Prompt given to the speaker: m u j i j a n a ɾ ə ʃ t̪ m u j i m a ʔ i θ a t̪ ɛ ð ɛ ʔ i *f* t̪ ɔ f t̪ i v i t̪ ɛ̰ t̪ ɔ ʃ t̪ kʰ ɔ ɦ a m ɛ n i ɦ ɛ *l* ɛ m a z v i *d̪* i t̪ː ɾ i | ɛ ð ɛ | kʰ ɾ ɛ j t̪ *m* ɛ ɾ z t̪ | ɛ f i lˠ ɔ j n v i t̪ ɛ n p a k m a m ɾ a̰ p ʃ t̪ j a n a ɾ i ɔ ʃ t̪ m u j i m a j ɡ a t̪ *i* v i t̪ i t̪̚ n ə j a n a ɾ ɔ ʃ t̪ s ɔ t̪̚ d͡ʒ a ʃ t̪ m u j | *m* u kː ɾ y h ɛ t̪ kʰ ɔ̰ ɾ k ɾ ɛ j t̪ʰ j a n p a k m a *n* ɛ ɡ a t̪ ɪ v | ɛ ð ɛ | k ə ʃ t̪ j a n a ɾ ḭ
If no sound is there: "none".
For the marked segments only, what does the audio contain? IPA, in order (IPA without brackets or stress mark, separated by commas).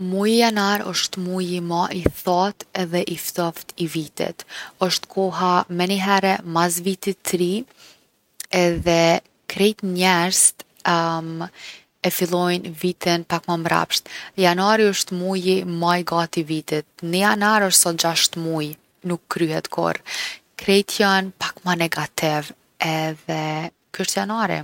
f, ɾ, t̪, ɲ, i, n, n